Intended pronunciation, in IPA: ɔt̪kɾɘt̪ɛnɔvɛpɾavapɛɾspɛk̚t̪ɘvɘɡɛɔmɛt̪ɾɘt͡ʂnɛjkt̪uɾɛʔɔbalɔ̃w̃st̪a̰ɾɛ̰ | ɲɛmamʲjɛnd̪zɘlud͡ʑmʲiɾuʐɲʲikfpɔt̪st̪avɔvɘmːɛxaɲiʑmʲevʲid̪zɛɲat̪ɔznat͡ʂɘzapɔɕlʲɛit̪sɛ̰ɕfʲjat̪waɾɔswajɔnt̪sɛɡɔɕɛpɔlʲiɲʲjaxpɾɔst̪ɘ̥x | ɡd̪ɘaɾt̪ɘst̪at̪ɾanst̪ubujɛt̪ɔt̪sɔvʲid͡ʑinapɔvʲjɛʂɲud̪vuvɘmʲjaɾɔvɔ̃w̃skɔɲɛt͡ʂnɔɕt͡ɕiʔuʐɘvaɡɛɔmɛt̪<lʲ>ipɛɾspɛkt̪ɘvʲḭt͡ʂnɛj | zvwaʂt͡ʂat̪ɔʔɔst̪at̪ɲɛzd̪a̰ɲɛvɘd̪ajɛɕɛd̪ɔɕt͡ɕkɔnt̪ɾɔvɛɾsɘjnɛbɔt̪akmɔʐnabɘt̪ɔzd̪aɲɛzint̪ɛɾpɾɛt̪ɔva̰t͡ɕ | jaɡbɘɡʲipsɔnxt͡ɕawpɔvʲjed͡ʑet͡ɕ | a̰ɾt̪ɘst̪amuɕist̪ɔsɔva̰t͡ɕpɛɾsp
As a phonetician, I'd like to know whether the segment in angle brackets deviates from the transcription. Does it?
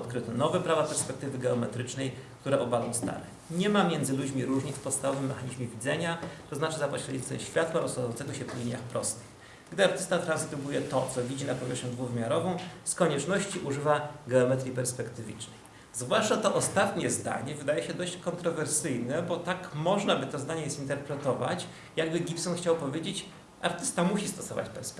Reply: yes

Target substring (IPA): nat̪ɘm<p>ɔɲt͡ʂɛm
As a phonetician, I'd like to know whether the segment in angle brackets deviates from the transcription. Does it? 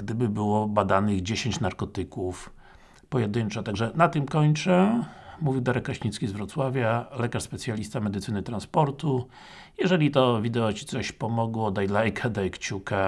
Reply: yes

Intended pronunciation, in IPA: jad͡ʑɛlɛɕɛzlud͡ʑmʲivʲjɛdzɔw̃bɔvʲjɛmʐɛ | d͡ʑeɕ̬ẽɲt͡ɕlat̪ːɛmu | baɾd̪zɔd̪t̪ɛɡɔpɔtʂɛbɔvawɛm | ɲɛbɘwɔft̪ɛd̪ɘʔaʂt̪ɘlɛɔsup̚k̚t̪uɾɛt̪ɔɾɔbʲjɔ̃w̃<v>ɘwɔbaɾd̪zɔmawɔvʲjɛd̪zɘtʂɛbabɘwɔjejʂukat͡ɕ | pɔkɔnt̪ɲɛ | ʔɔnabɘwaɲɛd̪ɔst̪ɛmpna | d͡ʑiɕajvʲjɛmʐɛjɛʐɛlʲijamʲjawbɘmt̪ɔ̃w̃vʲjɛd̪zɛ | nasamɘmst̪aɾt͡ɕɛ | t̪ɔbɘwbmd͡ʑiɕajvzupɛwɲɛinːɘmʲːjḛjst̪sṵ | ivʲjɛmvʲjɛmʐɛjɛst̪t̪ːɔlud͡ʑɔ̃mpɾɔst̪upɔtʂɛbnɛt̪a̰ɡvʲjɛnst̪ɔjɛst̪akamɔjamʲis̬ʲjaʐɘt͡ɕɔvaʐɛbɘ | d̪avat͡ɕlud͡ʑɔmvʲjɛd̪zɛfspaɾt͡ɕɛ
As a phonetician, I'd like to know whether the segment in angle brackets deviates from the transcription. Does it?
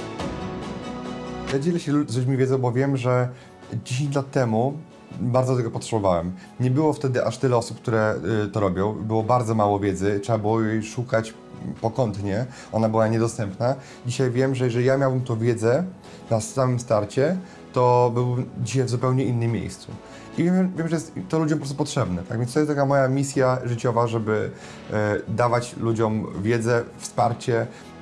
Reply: yes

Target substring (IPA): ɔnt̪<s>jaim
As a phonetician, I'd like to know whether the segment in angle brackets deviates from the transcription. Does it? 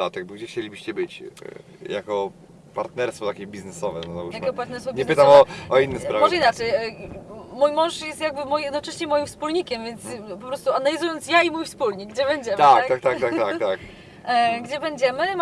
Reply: no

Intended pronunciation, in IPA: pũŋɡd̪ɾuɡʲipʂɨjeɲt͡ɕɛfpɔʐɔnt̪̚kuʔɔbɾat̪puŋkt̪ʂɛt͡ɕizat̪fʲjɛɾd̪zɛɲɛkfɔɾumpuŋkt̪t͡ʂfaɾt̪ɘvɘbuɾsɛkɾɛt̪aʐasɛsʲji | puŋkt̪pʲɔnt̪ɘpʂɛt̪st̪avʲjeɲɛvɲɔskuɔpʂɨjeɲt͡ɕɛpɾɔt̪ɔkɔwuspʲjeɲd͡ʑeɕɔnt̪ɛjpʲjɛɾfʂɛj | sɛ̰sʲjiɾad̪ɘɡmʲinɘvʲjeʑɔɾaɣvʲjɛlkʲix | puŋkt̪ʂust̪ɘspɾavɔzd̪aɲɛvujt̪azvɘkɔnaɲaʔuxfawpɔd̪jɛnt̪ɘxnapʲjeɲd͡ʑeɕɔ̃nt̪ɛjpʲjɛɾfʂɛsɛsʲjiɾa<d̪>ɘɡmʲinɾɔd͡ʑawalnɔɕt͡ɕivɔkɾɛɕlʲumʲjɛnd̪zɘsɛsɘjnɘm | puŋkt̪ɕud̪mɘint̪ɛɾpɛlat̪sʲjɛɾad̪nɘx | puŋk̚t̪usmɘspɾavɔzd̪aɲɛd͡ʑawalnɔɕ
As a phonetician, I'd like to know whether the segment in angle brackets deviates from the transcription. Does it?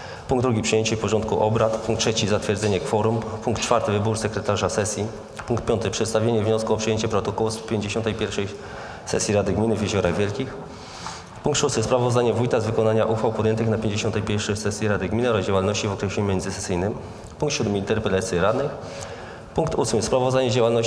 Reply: no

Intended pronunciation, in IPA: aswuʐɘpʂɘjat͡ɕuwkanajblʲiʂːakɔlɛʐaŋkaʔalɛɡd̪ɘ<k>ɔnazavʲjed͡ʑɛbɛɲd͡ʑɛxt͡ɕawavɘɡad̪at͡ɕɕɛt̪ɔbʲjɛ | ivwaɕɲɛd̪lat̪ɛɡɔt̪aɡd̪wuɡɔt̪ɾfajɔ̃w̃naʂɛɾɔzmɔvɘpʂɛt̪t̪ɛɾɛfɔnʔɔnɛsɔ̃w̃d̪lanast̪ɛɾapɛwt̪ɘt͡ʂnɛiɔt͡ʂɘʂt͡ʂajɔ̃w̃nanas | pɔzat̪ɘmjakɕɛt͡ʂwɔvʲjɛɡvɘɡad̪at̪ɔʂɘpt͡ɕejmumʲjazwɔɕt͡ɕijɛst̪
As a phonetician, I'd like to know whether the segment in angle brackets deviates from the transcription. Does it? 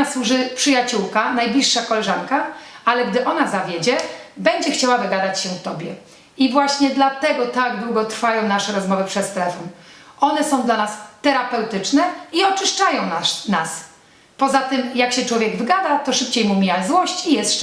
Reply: yes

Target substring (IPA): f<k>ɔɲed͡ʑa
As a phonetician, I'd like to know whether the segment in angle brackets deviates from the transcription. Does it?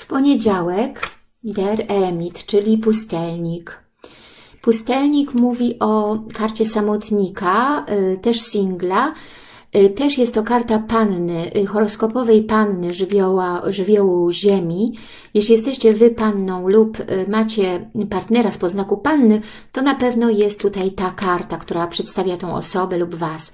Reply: yes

